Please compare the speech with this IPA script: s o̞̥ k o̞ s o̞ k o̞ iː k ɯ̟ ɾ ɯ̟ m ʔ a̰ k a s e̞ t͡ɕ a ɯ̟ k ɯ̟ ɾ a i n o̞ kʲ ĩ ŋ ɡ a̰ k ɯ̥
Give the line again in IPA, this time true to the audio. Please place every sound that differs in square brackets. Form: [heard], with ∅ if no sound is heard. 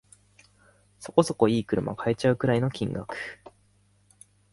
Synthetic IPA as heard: s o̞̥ k o̞ s o̞ k o̞ iː k ɯ̟ ɾ ɯ̟ m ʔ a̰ k a [∅] e̞ t͡ɕ a ɯ̟ k ɯ̟ ɾ a i n o̞ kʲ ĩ ŋ ɡ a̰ k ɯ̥